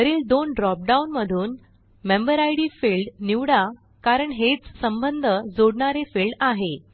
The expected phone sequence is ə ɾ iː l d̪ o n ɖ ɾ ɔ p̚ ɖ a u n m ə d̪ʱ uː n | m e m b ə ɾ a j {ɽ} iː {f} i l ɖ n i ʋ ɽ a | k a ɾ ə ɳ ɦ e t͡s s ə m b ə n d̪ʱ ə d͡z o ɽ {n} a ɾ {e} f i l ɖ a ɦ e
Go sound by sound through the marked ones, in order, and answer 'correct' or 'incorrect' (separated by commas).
correct, correct, incorrect, correct